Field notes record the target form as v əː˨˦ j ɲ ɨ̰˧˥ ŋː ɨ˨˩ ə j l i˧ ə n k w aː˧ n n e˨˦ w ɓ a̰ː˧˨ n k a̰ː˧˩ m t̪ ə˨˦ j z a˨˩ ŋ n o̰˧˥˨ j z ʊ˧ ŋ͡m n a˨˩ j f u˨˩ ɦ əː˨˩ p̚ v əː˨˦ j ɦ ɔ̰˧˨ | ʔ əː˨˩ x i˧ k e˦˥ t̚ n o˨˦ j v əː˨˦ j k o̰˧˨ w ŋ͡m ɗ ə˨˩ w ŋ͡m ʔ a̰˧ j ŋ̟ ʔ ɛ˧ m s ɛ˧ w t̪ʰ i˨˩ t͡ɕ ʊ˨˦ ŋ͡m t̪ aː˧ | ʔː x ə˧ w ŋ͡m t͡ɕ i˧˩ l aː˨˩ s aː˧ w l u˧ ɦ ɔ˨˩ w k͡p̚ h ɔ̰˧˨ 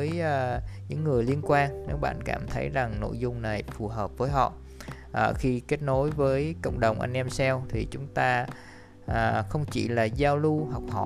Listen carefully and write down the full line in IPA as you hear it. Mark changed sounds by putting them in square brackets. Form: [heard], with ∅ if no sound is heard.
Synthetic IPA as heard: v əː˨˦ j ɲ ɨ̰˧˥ ŋː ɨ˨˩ ə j l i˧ ə n k w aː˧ n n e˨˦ w ɓ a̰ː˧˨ n k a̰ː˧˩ m [t̪ʰ] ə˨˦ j z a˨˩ ŋ n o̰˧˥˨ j z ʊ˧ ŋ͡m n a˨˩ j f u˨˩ ɦ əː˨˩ p̚ v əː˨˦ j ɦ ɔ̰˧˨ | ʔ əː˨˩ x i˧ k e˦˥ t̚ n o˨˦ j v əː˨˦ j k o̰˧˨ w ŋ͡m ɗ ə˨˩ w ŋ͡m ʔ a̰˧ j ŋ̟ ʔ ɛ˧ m s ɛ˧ w t̪ʰ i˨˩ t͡ɕ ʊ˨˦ ŋ͡m t̪ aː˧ | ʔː x ə˧ w ŋ͡m t͡ɕ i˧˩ l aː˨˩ [z] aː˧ w l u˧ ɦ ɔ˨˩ w k͡p̚ h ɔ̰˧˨